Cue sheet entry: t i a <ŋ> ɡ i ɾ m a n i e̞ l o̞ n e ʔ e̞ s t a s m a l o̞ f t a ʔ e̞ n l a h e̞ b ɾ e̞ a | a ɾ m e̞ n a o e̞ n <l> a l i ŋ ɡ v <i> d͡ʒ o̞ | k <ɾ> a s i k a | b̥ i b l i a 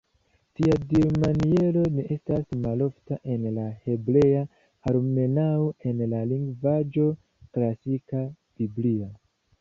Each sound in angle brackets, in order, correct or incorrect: incorrect, correct, incorrect, incorrect

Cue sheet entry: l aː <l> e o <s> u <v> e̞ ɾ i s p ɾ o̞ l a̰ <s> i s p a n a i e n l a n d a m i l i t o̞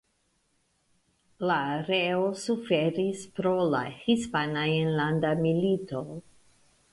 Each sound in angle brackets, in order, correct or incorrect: incorrect, correct, incorrect, incorrect

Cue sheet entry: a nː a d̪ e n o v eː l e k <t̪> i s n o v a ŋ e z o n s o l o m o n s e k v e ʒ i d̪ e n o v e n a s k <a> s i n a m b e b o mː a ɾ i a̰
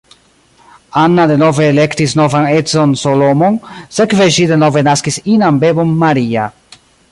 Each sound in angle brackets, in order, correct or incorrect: correct, incorrect

